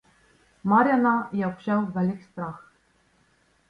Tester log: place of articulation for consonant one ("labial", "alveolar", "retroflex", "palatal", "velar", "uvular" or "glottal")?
labial